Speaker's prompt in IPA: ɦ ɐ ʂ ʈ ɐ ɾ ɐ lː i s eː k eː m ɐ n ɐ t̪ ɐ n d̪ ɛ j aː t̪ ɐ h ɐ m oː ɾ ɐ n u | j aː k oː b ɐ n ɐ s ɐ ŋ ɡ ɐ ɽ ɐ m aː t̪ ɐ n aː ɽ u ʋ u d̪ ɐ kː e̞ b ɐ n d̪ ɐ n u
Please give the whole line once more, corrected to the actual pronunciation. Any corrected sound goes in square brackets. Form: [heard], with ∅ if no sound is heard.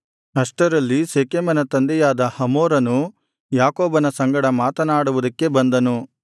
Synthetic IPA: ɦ ɐ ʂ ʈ ɐ ɾ ɐ lː i s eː k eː m ɐ n ɐ t̪ ɐ n d̪ ɛ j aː [d̪] ɐ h ɐ m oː ɾ ɐ n u | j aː k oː b ɐ n ɐ s ɐ ŋ ɡ ɐ ɽ ɐ m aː t̪ ɐ n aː ɽ u ʋ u d̪ ɐ kː e̞ b ɐ n d̪ ɐ n u